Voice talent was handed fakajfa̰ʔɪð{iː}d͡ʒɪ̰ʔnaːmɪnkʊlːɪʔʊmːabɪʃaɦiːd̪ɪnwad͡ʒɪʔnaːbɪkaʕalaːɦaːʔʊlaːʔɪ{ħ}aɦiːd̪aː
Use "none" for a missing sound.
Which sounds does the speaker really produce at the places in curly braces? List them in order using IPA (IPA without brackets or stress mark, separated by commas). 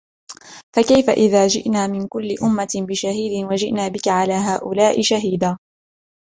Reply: aː, ʃ